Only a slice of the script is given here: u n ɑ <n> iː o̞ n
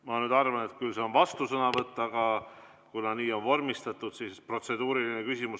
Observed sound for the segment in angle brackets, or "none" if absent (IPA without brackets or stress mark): n